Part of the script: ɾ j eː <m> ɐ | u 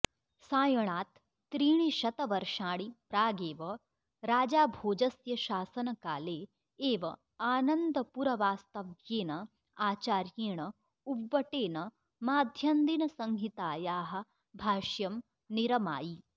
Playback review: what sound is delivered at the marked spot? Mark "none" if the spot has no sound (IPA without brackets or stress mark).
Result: ɳ